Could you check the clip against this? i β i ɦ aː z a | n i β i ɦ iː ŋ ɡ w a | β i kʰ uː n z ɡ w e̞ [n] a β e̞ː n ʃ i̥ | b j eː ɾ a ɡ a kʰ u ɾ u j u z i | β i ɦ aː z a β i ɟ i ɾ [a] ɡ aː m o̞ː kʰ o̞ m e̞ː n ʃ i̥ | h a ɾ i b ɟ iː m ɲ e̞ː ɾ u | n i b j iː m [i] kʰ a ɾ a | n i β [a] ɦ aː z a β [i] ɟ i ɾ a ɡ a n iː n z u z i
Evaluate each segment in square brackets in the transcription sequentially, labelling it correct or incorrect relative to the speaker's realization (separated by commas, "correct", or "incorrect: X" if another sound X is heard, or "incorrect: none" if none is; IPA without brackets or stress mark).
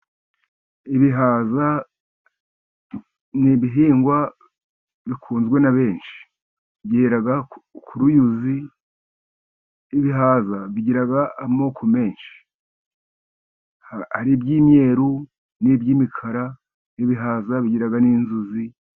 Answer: correct, correct, correct, incorrect: i, correct